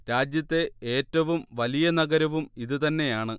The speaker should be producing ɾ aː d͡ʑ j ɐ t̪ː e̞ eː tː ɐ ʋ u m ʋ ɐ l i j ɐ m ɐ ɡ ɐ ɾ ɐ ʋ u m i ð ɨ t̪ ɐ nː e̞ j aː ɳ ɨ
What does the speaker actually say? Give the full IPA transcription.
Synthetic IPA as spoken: ɾ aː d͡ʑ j ɐ t̪ː e̞ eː tː ɐ ʋ u m ʋ ɐ l i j ɐ n ɐ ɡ ɐ ɾ ɐ ʋ u m i ð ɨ t̪ ɐ nː e̞ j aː ɳ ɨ